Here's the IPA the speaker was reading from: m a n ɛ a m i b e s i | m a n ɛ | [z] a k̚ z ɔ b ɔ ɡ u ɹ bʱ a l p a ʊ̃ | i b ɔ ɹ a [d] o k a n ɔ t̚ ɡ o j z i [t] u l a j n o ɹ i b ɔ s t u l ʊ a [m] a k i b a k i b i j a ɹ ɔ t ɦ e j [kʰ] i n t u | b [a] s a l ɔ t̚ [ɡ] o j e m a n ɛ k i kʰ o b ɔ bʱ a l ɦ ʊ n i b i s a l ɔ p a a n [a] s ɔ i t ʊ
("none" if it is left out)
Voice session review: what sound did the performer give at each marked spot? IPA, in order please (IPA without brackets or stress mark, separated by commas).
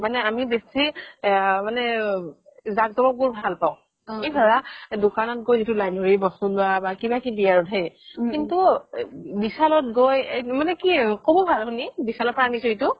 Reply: z, d, t, b, k, i, ɡ, i